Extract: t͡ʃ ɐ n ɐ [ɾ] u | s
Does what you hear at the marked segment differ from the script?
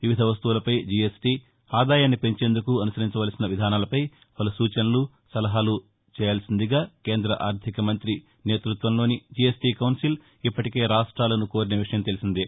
yes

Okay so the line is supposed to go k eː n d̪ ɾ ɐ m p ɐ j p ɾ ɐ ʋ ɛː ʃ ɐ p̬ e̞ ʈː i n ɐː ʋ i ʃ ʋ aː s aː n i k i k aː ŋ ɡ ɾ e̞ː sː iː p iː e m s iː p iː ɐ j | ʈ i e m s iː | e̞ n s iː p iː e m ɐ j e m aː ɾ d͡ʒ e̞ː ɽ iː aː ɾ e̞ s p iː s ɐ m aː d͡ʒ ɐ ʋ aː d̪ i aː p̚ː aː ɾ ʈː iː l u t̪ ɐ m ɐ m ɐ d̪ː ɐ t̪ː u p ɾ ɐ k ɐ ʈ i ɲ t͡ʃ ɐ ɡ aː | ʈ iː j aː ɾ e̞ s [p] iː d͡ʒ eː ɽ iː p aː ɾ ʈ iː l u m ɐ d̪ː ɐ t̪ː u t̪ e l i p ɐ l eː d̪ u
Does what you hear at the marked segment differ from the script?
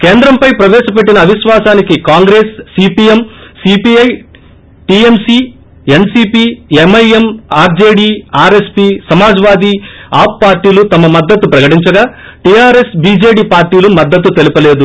yes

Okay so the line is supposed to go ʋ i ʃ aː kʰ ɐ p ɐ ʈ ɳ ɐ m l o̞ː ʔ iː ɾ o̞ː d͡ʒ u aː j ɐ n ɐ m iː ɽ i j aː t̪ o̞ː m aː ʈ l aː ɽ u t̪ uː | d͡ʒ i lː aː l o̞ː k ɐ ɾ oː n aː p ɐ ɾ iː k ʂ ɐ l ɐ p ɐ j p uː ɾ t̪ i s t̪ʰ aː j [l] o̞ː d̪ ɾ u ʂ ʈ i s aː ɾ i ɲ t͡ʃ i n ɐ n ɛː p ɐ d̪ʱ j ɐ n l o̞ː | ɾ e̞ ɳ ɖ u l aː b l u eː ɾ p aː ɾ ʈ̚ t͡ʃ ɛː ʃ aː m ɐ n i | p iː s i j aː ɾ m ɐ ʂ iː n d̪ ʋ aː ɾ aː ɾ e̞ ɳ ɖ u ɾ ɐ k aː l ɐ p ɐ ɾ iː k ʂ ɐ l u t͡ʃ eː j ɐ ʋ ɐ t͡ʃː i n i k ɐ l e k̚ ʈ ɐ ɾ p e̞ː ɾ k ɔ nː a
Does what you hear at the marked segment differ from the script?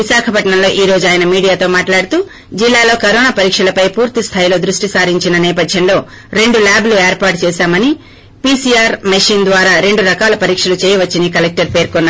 no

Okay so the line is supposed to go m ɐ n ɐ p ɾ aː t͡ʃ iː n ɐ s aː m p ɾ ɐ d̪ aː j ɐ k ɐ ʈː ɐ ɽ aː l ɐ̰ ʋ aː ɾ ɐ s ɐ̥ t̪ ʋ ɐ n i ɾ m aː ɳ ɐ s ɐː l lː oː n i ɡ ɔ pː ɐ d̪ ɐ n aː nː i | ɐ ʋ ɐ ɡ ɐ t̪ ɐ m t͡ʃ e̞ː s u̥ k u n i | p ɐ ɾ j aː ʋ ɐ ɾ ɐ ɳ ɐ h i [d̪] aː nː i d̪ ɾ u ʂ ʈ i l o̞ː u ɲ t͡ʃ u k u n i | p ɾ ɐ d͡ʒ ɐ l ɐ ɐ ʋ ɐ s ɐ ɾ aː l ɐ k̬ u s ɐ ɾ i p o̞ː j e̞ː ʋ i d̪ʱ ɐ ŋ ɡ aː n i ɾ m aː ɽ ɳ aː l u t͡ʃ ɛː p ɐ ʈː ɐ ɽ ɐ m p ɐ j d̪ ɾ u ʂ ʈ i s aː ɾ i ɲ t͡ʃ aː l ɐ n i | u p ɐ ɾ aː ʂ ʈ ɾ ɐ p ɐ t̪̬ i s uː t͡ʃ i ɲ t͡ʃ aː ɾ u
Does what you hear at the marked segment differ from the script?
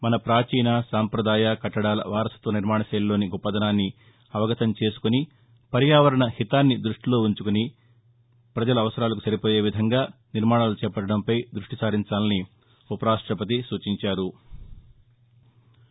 yes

